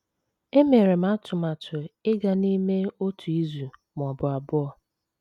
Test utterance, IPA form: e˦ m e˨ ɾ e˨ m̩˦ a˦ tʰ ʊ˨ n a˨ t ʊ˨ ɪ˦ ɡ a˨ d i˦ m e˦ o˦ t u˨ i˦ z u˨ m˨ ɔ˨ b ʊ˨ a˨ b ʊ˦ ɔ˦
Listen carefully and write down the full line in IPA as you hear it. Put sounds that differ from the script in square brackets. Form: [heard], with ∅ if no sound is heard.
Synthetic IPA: e˦ m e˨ ɾ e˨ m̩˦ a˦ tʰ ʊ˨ [m] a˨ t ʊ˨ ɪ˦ ɡ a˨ [n] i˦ m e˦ o˦ t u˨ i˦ z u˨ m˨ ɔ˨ b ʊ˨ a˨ b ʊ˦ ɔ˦